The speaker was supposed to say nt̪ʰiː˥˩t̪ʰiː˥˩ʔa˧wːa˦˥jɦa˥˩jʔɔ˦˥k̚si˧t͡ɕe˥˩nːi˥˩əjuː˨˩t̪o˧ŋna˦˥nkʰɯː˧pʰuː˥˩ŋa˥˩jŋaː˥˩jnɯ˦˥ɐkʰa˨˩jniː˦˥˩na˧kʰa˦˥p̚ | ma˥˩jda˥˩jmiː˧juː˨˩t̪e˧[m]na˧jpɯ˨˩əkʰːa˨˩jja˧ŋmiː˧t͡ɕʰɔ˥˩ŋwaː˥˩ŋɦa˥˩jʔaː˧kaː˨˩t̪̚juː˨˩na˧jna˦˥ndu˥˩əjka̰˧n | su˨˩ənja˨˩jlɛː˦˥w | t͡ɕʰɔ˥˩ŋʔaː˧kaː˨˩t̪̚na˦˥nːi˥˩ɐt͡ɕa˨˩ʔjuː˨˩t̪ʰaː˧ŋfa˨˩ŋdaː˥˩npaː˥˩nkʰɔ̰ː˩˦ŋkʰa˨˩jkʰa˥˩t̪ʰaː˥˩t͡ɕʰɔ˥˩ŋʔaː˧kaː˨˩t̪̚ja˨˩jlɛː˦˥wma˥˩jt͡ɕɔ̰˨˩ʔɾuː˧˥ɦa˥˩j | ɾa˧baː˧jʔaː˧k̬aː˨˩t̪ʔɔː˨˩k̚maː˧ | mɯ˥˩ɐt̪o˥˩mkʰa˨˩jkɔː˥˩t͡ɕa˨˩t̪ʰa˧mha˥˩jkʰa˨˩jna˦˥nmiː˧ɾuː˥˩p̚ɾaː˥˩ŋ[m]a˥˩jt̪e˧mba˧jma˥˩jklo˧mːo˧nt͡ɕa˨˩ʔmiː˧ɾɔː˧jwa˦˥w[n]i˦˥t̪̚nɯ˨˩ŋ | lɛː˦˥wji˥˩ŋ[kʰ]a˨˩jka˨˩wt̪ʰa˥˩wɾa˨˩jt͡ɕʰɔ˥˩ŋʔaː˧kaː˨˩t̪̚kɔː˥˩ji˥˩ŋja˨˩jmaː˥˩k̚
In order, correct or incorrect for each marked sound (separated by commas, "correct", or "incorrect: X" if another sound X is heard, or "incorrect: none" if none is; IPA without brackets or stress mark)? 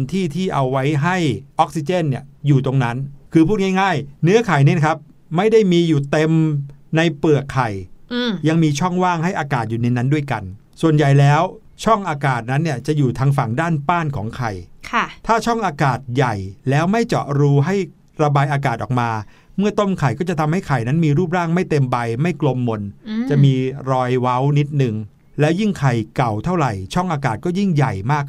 correct, correct, correct, correct